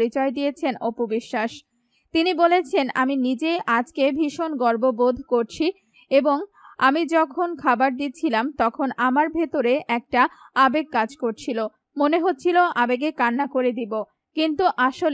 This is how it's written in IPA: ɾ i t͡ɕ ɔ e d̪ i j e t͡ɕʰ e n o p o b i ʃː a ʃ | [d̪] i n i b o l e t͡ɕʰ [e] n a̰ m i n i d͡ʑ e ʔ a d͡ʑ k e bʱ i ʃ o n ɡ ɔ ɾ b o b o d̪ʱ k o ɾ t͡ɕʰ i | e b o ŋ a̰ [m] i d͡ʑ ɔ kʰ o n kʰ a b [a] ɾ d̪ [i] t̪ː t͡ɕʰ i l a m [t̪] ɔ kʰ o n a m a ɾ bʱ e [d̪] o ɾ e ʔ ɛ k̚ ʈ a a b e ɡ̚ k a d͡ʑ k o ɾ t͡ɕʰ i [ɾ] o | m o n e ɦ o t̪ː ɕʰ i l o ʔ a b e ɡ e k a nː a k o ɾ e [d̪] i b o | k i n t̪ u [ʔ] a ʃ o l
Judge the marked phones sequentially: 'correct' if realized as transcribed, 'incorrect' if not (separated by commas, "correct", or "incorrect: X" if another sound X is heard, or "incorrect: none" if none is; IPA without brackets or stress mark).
incorrect: t̪, correct, correct, correct, correct, correct, incorrect: t̪, incorrect: l, correct, correct